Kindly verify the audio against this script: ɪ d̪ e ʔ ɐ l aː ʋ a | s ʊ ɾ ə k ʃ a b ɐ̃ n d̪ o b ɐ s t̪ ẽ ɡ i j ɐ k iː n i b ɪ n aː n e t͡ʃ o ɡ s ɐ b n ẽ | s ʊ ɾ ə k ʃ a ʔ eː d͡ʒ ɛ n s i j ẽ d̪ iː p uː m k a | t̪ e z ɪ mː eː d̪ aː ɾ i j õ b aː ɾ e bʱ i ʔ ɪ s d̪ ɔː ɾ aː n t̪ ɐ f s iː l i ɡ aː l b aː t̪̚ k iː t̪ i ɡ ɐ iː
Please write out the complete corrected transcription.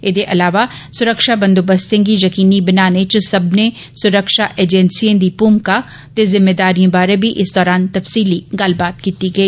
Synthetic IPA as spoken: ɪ d̪ e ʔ ɐ l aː ʋ a | s ʊ ɾ ə k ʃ a b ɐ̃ n d̪ o b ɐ s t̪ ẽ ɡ i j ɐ k iː n i b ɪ n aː n e t͡ʃ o s ɐ b n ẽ | s ʊ ɾ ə k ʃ a ʔ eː d͡ʒ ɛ n s i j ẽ d̪ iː p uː m k a | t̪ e z ɪ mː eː d̪ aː ɾ i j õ b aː ɾ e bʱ i ʔ ɪ s d̪ ɔː ɾ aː n t̪ ɐ f s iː l i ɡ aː l b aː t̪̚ k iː t̪ i ɡ ɐ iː